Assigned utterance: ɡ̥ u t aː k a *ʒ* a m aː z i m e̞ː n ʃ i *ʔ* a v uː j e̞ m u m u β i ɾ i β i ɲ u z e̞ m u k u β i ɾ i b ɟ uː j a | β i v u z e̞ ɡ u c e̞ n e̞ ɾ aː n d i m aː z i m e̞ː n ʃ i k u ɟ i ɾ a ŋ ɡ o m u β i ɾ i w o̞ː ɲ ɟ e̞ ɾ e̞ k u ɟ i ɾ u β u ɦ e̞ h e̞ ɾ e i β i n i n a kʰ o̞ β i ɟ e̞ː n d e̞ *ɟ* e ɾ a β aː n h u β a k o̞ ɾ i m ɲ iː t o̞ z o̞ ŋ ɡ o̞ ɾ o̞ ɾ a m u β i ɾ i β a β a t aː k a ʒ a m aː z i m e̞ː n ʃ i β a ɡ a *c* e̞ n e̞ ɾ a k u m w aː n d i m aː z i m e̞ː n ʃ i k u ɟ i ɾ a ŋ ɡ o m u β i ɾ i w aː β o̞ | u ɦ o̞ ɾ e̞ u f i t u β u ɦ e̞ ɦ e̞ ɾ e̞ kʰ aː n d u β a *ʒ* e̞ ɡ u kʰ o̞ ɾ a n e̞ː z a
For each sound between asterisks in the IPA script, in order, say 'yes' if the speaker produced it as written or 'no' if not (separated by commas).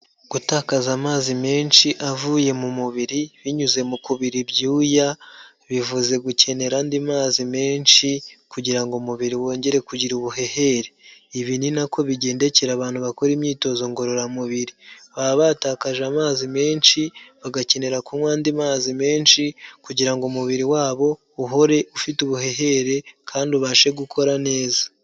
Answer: no, yes, no, yes, no